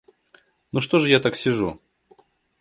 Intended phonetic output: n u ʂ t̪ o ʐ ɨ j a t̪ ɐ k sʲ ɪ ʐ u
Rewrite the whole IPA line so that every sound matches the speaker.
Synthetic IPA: n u ʂ t̪ o ʐ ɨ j a t̪ a k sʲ ɪ ʐ u

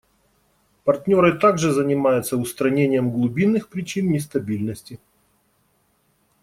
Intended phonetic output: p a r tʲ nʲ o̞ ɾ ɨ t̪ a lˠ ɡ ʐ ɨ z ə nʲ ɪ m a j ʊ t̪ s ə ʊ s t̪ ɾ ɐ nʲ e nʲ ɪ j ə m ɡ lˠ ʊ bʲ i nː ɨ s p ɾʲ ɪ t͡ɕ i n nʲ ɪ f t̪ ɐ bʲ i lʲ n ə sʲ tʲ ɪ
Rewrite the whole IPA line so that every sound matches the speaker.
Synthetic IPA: p ɐ r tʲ nʲ o̞ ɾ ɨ t̪ a ɡ ʐ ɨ z ə nʲ ɪ m a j ʊ t̪ s ə ʊ s t̪ ɾ ɐ nʲ e nʲ ɪ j ə m ɡ lˠ ʊ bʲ i nː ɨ x p ɾʲ ɪ t͡ɕ i n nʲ ɪ s t̪ ɐ bʲ i lʲ n ə sʲ tʲ ɪ

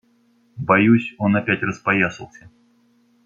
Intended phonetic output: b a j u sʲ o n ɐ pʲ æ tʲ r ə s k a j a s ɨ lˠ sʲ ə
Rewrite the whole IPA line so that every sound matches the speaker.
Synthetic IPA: b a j u sʲ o n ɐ pʲ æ tʲ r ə s p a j a s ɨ lˠ sʲ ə

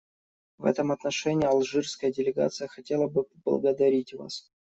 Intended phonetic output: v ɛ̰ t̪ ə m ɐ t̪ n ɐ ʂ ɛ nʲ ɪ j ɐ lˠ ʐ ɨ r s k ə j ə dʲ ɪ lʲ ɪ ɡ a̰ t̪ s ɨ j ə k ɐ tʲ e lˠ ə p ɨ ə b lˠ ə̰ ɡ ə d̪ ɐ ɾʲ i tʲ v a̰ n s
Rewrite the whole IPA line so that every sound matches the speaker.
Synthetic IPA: v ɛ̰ t̪ ə m ɐ t̪ n ɐ ʂ ɛ nʲ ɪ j ɐ lˠ ʐ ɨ r s k ə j ə dʲ ɪ lʲ ɪ ɡ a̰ t̪ s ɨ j ə x ɐ tʲ e lˠ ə b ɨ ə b lˠ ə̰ ɡ ə d̪ ɐ ɾʲ i tʲ v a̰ s

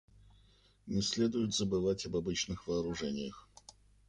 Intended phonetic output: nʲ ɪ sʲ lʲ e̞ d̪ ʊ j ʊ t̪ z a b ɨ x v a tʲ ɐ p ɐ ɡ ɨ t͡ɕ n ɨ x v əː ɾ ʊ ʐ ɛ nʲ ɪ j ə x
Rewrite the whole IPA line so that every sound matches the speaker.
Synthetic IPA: nʲ ɪ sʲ lʲ e̞ d̪ ʊ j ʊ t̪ z ə b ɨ v a tʲ ɐ b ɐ b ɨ t͡ɕ n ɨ x v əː ɾ ʊ ʐ ɛ nʲ ɪ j ə x

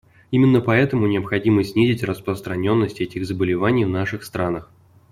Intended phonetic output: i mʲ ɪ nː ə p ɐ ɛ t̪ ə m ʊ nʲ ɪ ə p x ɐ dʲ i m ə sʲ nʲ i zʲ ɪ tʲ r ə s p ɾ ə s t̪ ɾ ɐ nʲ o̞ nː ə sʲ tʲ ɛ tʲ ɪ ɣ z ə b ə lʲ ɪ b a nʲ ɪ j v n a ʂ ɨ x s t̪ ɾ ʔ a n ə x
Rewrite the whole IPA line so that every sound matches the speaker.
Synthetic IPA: i mʲ ɪ nː ə p ɐ ɛ t̪ ə m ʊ nʲ ɪ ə p x ɐ dʲ i m ə sʲ nʲ i zʲ ɪ tʲ r ə s p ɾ ə s t̪ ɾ ɐ nʲ o̞ nː ə sʲ tʲ ɛ tʲ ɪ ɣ z ə b ə lʲ ɪ v a nʲ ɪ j v n a ʂ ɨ x s t̪ ɾ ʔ a n ə x

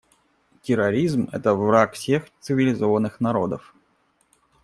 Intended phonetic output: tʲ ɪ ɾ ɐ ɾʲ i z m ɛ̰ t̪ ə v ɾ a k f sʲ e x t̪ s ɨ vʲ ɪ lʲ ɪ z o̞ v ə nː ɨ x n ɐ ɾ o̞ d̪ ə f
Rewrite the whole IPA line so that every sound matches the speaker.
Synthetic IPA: tʲ ɪ ɾ ɐ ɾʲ i z m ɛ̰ t̪ ə v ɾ a k f sʲ e x t̪ s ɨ vʲ ɪ lʲ ɪ z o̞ v ə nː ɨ x n ɐ ɾ o̞ d̪ ə f

